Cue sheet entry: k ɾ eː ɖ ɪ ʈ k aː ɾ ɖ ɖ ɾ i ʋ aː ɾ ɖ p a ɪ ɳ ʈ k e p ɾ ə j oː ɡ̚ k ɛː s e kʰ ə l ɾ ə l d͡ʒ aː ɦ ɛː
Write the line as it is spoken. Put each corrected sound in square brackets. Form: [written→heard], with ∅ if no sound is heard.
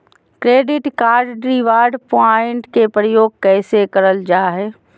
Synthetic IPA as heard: k ɾ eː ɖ ɪ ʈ k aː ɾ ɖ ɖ ɾ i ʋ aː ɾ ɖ p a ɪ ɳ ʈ k e p ɾ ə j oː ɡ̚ k ɛː s e [kʰ→k] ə [l→∅] ɾ ə l d͡ʒ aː ɦ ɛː